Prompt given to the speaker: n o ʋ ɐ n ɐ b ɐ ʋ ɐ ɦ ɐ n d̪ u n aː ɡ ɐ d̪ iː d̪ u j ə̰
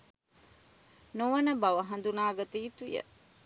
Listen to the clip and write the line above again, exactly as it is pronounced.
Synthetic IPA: n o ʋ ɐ n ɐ b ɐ ʋ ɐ ɦ ɐ n d̪ u n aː ɡ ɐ t̪ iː t̪ u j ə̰